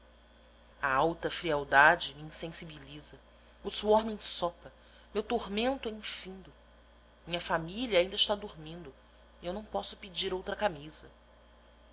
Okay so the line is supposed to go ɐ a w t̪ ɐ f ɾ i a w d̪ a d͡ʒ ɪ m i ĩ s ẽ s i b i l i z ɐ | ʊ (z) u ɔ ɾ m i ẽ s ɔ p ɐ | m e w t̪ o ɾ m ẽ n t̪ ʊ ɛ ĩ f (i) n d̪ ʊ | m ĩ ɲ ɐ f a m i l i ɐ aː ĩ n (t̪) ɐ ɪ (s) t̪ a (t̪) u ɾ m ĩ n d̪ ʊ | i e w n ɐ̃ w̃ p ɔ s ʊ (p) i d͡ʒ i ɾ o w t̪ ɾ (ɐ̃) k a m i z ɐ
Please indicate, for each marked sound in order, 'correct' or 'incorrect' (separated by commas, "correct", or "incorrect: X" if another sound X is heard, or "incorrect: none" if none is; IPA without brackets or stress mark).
incorrect: s, incorrect: ĩ, incorrect: d̪, incorrect: ʃ, incorrect: d̪, correct, incorrect: ɐ